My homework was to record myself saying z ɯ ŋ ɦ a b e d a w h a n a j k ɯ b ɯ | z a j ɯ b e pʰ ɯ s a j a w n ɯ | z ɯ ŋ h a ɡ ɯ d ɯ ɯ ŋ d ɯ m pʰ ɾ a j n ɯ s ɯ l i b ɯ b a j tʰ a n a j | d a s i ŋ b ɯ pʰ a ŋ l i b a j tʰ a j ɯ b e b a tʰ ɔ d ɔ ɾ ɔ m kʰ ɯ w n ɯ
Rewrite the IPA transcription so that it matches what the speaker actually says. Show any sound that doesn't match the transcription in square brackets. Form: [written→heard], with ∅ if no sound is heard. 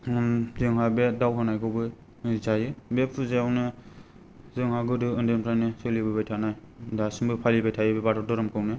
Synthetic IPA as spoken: z ɯ ŋ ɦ a b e d a w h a n a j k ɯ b ɯ | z a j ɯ b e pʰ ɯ [s→z] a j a w n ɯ | z ɯ ŋ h a ɡ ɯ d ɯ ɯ [ŋ→n] d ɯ m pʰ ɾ a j n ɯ s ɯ l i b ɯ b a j tʰ a n a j | d a s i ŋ b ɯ pʰ a [ŋ→∅] l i b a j tʰ a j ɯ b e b a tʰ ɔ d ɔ ɾ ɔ m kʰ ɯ w n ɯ

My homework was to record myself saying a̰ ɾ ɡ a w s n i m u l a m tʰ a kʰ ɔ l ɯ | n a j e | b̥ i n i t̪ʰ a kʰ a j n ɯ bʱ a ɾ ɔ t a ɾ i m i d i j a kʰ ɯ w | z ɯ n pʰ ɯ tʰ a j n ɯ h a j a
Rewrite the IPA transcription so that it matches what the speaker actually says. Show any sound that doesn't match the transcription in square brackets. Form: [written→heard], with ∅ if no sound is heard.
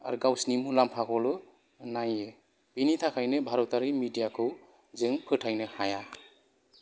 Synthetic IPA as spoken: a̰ ɾ ɡ a w s n i m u l a m [tʰ→pʰ] a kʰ ɔ l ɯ | n a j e | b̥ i n i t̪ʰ a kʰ a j n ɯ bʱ a ɾ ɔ t a ɾ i m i d i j a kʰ ɯ w | z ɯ [n→ŋ] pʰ ɯ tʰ a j n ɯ h a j a

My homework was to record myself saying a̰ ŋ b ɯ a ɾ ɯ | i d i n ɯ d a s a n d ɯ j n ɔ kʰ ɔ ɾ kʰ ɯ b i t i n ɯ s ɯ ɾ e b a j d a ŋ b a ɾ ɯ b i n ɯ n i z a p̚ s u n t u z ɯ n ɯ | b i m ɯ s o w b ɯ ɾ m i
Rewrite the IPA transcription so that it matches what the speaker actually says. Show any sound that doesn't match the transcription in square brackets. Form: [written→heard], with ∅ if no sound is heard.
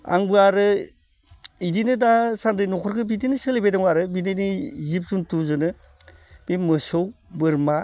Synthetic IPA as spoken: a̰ ŋ b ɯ a ɾ ɯ | i d i n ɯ d a s a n d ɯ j n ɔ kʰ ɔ ɾ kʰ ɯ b i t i n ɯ s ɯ [ɾ→l] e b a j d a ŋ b a ɾ ɯ b i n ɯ n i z [a→i] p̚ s u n t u z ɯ n ɯ | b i m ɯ s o w b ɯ ɾ m [i→a]

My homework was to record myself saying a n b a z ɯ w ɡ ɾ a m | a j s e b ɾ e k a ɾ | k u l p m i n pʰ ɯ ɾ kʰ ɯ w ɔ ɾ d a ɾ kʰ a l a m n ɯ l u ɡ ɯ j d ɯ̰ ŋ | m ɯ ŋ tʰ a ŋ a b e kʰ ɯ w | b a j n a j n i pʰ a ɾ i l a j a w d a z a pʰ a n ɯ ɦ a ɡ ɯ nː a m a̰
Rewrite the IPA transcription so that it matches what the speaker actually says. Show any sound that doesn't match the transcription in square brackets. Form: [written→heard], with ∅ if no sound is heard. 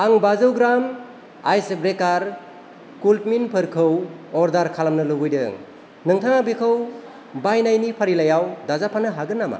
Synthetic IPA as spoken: a [n→ŋ] b a z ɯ w ɡ ɾ a m | a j s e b ɾ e k a ɾ | k u l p m i n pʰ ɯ ɾ kʰ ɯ w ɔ ɾ d a ɾ kʰ a l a m n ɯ l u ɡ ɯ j d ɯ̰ ŋ | [m→n] ɯ ŋ tʰ a ŋ a b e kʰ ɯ w | b a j n a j n i pʰ a ɾ i l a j a w d a z a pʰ a n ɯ ɦ a ɡ ɯ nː a m a̰

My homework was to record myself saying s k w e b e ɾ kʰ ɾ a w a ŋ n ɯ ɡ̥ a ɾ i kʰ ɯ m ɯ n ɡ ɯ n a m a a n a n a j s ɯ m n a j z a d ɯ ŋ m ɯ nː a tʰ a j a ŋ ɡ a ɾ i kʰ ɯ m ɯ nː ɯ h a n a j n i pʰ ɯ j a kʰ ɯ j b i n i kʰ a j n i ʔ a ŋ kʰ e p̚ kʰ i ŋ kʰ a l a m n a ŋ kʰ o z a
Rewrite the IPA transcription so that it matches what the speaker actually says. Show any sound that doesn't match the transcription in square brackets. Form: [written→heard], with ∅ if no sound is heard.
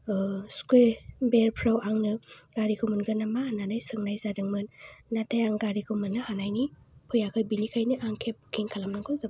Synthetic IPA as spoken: s k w e b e ɾ [kʰ→pʰ] ɾ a w a ŋ n ɯ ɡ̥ a ɾ i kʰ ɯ m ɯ n ɡ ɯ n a m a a n a n a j s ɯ [m→ŋ] n a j z a d ɯ ŋ m ɯ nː a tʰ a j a ŋ ɡ a ɾ i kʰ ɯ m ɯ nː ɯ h a n a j n i pʰ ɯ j a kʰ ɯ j b i n i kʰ a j n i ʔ a ŋ kʰ e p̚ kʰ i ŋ kʰ a l a m n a ŋ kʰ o z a

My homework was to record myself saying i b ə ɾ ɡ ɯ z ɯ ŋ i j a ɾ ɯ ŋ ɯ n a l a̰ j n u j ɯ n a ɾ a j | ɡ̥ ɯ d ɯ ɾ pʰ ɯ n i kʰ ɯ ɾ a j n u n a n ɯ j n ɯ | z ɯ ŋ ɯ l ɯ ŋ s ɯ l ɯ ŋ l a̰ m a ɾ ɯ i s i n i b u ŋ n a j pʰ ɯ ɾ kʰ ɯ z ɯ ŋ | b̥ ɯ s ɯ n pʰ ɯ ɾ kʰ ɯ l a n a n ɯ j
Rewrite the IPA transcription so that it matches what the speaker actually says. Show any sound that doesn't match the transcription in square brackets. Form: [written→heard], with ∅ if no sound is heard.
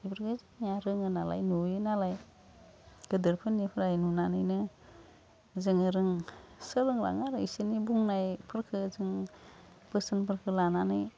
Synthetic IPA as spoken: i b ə ɾ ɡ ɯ z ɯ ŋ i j a ɾ ɯ ŋ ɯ n a l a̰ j n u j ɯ n a [ɾ→l] a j | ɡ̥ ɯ d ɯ ɾ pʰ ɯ n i [kʰ→pʰ] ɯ ɾ a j n u n a n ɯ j n ɯ | z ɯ ŋ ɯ [l→ɾ] ɯ ŋ s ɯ l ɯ ŋ l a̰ [m→ŋ] a ɾ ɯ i s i n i b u ŋ n a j pʰ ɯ ɾ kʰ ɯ z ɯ ŋ | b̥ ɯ s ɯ n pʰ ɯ ɾ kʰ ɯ l a n a n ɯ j

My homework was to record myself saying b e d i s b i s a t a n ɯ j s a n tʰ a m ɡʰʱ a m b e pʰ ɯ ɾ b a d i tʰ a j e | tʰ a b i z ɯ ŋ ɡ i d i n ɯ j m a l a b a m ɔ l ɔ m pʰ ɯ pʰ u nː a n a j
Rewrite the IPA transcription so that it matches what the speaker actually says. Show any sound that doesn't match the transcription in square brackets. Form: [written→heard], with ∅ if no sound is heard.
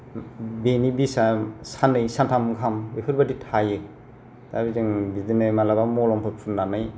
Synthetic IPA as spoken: b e [d→n] i [s→∅] b i s a [t→s] a n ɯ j s a n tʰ a m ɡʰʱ a m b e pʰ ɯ ɾ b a d i tʰ a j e | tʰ a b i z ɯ ŋ [ɡ→b] i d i n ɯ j m a l a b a m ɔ l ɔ m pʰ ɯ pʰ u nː a n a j

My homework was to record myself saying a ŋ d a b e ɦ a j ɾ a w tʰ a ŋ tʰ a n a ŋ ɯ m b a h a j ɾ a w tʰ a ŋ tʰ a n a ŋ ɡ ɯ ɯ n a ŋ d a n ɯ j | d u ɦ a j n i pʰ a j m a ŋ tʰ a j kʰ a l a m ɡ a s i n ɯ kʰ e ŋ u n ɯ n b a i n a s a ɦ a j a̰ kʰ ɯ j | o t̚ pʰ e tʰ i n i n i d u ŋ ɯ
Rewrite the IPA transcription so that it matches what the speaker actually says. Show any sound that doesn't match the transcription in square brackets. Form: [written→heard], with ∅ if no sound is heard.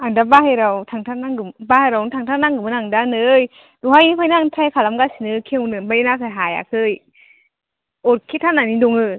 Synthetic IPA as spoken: a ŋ d a b [e→a] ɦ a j ɾ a w tʰ a ŋ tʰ a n a ŋ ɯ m b a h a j ɾ a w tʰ a ŋ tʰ a n a ŋ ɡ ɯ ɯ n a ŋ d a n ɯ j | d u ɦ a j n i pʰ a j [m→n] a ŋ tʰ a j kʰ a l a m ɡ a s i n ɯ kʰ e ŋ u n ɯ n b a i n a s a ɦ a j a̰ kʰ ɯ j | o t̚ [pʰ→kʰ] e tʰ [i→a] n [i→a] n i d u ŋ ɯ

